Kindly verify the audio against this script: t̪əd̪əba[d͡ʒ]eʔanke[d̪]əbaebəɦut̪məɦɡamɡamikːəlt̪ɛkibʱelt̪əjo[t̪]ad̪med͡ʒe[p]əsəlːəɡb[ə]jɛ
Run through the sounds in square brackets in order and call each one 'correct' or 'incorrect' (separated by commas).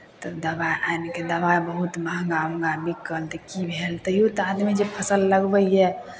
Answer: incorrect, correct, correct, incorrect, correct